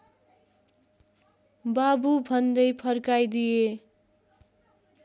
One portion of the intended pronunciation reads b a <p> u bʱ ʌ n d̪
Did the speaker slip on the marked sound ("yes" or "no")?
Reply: yes